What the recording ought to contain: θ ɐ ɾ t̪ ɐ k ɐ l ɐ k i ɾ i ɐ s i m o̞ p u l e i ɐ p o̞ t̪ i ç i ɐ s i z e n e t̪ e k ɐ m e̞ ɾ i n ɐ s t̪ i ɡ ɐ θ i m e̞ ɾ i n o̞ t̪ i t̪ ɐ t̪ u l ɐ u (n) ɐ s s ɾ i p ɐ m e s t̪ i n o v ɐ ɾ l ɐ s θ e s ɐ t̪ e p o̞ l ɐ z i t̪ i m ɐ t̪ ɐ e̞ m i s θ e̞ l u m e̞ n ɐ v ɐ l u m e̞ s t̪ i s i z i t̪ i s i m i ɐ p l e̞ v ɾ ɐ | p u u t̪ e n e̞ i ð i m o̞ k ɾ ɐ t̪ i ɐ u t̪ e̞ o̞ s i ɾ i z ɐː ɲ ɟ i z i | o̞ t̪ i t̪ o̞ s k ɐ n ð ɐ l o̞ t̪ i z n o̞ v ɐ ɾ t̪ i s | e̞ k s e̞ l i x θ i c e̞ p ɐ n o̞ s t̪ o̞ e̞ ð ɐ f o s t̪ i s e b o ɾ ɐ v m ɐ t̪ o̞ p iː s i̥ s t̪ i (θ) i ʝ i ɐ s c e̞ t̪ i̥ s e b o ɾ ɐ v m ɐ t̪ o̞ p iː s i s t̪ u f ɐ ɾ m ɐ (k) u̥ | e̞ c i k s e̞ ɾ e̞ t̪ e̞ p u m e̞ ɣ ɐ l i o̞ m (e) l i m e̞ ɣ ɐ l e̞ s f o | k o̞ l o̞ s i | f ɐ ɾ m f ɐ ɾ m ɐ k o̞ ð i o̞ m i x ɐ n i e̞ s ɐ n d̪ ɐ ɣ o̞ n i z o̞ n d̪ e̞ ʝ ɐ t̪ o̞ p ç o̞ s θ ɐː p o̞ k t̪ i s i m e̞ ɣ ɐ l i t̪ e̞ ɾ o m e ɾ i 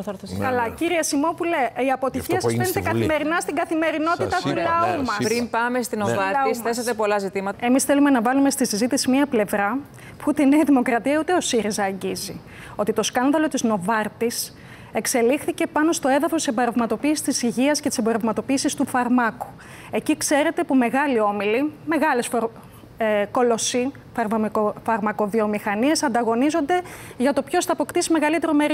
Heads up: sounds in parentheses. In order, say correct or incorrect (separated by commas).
incorrect, incorrect, correct, incorrect